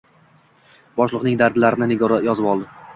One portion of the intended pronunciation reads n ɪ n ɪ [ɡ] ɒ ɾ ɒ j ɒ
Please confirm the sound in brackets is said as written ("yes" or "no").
yes